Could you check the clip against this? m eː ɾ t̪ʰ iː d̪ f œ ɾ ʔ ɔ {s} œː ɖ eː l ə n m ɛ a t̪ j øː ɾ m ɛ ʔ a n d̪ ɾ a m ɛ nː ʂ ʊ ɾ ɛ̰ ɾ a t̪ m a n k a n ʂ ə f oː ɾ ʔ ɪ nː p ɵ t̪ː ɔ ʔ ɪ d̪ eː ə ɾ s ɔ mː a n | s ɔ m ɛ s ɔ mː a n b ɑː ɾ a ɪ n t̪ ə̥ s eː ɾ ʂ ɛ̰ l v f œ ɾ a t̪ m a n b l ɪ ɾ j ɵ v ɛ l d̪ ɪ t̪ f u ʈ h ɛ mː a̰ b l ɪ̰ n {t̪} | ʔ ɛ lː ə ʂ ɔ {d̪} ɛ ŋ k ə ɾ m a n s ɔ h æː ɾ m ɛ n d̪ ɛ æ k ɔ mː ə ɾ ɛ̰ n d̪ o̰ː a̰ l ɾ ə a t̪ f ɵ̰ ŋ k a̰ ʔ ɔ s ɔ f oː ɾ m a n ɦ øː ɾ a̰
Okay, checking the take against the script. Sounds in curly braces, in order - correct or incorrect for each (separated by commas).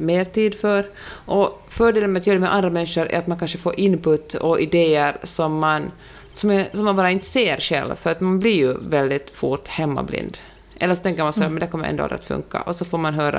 incorrect, incorrect, incorrect